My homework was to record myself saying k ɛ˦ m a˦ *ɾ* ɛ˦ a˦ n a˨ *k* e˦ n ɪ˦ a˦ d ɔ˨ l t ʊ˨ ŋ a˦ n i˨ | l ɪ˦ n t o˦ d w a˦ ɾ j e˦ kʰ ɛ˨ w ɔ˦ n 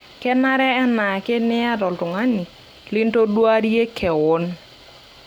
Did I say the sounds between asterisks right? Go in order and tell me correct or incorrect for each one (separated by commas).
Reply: correct, correct